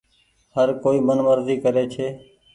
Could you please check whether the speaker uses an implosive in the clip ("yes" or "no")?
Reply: no